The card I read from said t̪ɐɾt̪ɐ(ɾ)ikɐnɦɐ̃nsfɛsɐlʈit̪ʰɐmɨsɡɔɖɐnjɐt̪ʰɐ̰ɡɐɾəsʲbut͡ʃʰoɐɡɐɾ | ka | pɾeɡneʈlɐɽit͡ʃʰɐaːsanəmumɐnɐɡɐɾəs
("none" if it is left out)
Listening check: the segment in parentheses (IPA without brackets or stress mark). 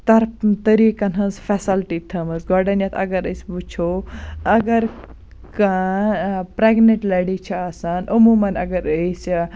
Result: ɾ